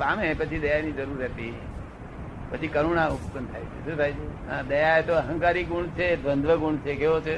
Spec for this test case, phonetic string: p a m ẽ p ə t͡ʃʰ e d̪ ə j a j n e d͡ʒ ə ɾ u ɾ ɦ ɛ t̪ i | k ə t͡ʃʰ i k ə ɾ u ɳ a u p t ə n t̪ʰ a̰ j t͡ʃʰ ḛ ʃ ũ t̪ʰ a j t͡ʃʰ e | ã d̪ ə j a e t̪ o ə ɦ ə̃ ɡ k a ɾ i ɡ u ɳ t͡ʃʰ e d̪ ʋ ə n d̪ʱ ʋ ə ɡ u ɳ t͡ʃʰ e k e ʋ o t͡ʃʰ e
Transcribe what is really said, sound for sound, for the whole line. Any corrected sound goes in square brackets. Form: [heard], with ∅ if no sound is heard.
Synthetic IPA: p a m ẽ p ə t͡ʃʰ [i] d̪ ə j a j n [i] d͡ʒ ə ɾ u ɾ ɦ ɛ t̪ i | [p] ə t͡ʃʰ i k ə ɾ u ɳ a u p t ə n t̪ʰ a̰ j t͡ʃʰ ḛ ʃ ũ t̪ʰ a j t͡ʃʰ e | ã d̪ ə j a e t̪ o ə ɦ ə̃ [ŋ] k a ɾ i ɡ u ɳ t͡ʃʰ e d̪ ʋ ə n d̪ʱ ʋ ə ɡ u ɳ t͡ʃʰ e k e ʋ o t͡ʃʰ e